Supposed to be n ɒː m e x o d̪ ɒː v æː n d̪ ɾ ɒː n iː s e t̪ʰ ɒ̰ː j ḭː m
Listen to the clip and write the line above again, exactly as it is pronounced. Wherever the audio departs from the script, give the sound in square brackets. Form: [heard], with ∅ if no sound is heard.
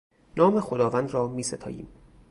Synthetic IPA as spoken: n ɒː m e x o d̪ ɒː v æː n d̪ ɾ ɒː [m] iː s e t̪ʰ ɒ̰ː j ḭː m